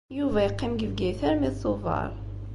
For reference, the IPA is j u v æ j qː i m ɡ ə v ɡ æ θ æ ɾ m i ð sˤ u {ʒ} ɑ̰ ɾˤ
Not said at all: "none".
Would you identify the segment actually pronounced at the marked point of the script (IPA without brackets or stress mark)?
v